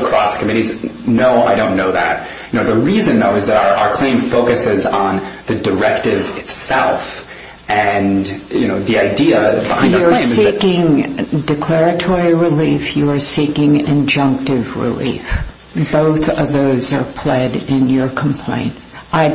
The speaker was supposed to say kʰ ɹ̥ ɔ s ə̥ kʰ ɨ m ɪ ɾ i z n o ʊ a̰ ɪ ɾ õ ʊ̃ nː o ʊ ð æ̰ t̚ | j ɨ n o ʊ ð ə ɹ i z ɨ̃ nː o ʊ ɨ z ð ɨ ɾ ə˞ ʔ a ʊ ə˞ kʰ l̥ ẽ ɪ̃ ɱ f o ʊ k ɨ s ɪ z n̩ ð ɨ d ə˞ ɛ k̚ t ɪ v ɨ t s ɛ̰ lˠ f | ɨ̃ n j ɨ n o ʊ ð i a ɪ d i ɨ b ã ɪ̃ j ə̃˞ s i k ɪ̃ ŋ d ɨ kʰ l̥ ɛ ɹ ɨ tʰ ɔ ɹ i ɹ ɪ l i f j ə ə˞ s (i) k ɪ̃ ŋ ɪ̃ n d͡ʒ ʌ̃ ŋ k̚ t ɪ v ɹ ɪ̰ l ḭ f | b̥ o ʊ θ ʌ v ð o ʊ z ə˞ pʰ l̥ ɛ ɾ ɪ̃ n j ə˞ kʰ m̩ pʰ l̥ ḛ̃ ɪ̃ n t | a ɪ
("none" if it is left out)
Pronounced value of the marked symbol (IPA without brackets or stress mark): i